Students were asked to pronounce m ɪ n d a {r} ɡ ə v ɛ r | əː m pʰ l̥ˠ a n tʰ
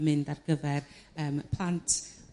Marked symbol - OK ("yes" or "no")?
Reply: yes